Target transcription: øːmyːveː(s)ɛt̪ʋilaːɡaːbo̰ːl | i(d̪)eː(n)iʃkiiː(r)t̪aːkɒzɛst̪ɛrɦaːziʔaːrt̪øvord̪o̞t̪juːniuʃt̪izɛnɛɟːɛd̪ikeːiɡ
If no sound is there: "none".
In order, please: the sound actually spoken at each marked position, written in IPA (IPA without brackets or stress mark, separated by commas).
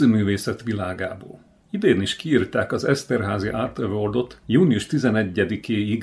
s, d̪, n, r